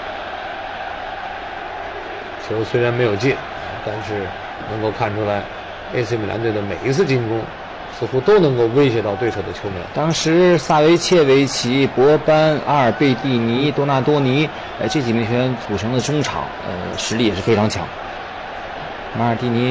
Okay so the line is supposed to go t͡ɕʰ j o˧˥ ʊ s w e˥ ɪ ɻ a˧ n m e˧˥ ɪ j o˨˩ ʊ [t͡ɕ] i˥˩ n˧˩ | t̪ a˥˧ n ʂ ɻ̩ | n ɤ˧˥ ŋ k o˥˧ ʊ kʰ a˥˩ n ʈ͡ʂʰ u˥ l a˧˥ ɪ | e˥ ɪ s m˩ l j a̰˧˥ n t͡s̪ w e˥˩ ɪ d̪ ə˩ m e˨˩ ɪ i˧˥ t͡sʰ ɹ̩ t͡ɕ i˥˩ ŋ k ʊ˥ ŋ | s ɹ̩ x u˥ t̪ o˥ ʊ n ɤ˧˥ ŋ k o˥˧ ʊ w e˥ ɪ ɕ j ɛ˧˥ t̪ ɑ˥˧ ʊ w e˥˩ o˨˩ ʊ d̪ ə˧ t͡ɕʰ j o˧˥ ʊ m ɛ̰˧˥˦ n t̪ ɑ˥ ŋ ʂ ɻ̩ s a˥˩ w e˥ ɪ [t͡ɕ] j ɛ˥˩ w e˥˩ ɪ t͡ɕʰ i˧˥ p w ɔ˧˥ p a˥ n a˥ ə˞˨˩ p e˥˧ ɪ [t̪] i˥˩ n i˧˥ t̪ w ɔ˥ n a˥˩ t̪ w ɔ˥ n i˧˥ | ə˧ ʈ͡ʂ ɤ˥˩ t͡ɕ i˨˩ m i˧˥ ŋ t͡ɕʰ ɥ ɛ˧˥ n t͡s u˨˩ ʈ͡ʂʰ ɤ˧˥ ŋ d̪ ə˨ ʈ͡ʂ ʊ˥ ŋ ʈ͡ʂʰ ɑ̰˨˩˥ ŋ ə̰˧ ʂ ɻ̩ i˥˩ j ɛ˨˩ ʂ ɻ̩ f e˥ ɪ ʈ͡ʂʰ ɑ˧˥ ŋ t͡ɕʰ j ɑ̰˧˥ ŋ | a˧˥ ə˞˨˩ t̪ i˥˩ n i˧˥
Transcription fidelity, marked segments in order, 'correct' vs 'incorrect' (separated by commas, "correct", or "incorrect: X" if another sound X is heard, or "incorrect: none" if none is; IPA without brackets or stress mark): correct, incorrect: t͡ɕʰ, correct